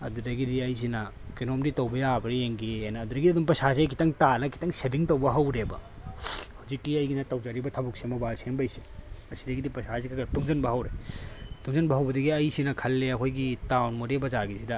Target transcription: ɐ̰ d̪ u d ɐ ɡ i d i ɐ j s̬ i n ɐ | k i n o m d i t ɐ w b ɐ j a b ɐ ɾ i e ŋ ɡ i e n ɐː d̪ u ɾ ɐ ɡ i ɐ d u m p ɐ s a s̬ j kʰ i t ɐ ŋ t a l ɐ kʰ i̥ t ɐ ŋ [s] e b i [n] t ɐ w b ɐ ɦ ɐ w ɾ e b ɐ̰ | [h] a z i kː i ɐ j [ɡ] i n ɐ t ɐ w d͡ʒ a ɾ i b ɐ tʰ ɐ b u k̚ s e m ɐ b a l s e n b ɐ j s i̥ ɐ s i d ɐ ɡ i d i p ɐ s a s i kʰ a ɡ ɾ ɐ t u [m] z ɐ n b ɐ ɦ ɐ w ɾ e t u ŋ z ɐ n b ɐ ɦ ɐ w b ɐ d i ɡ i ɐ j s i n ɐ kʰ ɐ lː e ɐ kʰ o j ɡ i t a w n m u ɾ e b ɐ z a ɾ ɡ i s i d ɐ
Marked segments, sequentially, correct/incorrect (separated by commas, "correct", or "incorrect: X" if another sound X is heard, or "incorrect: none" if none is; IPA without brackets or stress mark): correct, incorrect: ŋ, correct, correct, incorrect: ŋ